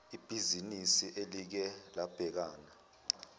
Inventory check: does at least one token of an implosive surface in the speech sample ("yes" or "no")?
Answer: no